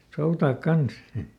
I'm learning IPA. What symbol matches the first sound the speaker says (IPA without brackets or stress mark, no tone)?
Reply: s